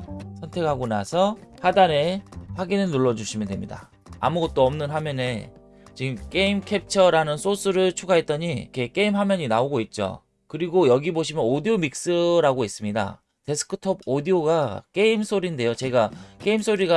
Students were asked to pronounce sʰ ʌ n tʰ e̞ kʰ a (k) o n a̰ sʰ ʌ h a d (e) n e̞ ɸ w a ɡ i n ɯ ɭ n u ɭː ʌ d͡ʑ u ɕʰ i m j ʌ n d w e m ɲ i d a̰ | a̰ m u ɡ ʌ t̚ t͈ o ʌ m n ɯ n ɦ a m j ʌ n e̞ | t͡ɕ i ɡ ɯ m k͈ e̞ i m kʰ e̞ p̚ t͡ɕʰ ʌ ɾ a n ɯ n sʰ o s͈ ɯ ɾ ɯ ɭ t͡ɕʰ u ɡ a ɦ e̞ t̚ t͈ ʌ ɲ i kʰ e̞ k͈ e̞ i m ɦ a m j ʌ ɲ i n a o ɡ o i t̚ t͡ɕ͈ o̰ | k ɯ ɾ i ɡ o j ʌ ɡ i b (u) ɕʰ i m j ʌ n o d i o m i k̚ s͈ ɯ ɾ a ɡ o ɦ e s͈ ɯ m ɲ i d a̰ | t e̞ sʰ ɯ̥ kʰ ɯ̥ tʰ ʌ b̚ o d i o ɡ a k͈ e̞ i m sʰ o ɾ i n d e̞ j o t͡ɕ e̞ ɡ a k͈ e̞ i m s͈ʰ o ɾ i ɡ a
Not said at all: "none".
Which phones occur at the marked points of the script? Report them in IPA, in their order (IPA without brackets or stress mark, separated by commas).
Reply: ɡ, a, o